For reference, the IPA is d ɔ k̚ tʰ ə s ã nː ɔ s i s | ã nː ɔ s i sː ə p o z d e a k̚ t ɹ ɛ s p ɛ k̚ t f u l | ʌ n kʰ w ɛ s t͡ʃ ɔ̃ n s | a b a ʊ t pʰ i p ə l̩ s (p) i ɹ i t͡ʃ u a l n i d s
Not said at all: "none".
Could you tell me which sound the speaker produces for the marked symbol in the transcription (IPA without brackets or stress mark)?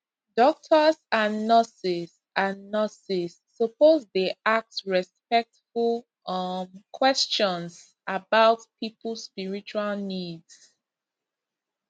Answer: p